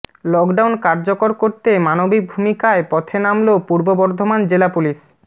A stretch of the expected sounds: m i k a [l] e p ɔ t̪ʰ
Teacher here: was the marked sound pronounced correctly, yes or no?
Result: no